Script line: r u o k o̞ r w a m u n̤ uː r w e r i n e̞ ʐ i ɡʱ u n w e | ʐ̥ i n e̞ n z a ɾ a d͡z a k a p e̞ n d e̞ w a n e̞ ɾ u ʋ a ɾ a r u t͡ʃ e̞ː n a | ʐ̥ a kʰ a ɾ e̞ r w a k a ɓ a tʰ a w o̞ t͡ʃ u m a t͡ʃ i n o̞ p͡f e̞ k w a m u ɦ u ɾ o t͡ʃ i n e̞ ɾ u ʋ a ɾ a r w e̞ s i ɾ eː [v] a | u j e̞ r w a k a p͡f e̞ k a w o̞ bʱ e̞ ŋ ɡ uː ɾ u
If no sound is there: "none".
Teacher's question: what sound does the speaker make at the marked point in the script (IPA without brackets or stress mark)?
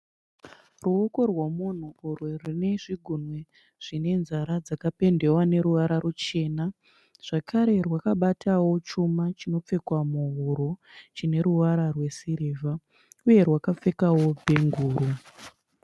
v